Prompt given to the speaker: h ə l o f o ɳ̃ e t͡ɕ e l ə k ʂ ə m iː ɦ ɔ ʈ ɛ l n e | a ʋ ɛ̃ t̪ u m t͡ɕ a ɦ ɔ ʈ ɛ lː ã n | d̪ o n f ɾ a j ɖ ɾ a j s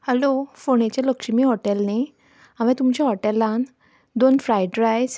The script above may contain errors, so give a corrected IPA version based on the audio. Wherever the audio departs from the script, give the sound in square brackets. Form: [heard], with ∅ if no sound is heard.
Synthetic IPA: h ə l o f o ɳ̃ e t͡ɕ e l ə k ʂ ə m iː ɦ ɔ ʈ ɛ l n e | a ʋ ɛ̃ t̪ u m t͡ɕ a ɦ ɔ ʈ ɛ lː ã n | d̪ o n f ɾ a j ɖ ɾ a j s

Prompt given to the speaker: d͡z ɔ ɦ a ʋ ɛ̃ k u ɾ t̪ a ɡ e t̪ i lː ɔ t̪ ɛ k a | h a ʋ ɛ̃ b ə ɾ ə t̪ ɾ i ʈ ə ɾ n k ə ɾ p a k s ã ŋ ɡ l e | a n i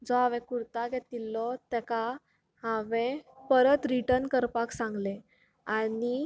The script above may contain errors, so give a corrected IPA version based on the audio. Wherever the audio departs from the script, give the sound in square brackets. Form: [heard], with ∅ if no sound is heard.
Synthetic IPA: d͡z ɔ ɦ a ʋ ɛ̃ k u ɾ t̪ a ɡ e t̪ i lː ɔ t̪ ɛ k a | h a ʋ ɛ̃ [p] ə ɾ ə t̪ ɾ i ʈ ə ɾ n k ə ɾ p a k s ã ŋ ɡ l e | a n i

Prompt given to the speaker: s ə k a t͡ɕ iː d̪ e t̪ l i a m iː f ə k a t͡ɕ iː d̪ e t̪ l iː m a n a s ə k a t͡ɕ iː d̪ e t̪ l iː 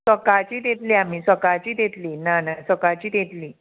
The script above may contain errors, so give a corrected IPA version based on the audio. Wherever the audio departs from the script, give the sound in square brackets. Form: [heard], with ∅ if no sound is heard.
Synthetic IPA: s ə k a t͡ɕ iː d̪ e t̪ l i a m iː [s] ə k a t͡ɕ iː d̪ e t̪ l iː [n] a n a s ə k a t͡ɕ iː d̪ e t̪ l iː

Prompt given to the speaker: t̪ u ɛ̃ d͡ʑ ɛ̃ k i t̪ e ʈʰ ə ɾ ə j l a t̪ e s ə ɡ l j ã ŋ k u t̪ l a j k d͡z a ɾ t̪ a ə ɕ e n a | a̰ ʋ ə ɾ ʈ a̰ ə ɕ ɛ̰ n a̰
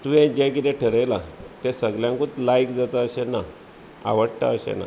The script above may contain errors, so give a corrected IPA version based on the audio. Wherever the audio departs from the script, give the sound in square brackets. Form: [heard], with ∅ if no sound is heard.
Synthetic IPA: t̪ u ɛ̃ d͡ʑ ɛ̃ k i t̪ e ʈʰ ə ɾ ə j l a t̪ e s ə ɡ l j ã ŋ k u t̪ l a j k d͡z a [∅] t̪ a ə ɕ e n a | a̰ ʋ ə [ɽ] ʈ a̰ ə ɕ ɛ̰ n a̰

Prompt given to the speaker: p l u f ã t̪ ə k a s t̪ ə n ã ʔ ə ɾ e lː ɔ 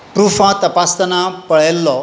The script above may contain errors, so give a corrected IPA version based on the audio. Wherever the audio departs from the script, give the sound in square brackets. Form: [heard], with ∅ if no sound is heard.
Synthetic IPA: p [ɾ] u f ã t̪ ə [p] a s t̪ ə n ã [p] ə [ɭ] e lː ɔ

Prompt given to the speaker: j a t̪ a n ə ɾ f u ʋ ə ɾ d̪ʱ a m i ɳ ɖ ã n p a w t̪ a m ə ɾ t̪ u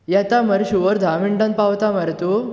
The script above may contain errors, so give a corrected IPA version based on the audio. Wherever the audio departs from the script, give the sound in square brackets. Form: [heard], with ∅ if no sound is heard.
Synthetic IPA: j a t̪ a [m] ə ɾ [ɕ] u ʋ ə ɾ d̪ʱ a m i ɳ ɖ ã n p a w t̪ a m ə ɾ t̪ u

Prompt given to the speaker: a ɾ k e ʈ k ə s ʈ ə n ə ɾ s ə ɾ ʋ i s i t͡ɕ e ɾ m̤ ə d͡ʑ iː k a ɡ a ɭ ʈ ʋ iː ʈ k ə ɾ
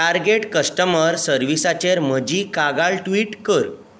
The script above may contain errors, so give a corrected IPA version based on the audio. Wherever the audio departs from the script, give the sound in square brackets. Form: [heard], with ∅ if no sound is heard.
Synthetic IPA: a ɾ [ɡ] e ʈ k ə s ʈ ə [m] ə ɾ s ə ɾ ʋ i s [a] t͡ɕ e ɾ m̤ ə d͡ʑ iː k a ɡ a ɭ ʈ ʋ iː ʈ k ə ɾ

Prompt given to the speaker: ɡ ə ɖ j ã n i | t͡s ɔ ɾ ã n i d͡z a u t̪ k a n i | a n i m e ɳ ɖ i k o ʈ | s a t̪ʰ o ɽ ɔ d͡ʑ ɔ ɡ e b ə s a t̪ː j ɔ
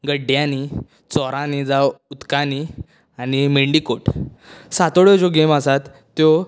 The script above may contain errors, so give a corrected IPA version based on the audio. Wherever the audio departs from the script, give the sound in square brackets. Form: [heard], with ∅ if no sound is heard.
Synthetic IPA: ɡ ə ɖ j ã n i | t͡s ɔ ɾ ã n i d͡z a u t̪ k a n i | a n i m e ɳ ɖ i k o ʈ | s a [t̪] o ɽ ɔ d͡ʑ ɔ ɡ e [m] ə s a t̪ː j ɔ

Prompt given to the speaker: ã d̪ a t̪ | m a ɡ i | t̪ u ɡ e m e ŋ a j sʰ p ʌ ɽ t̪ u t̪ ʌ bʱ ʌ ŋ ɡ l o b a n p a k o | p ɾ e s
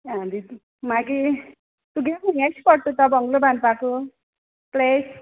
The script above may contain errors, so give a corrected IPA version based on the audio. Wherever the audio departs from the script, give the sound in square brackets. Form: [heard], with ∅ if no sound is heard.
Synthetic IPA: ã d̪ [i] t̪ | m a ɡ i | t̪ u ɡ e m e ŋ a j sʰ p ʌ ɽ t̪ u t̪ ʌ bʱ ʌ ŋ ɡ l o b a n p a k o | p [l] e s

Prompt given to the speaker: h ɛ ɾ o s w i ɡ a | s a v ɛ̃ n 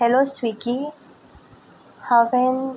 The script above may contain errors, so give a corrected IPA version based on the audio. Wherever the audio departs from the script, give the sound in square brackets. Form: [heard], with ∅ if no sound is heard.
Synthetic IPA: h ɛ [l] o s w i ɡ [i] | [h] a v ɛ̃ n

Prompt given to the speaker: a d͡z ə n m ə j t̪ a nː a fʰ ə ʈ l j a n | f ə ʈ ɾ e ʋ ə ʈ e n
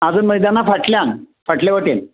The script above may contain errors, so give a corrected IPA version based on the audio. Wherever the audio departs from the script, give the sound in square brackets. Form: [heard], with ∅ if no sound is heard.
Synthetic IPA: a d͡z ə n m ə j [d̪] a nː a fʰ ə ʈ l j a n | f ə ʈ [l] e ʋ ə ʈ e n

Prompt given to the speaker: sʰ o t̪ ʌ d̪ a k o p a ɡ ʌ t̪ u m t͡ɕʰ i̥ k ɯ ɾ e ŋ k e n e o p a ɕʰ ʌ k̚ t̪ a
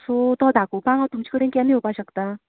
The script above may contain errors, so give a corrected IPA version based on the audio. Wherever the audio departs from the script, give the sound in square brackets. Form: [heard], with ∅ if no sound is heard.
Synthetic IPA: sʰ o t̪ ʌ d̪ a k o p a [ŋ] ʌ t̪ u m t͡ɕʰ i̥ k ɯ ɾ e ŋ k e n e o p a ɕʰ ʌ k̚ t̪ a

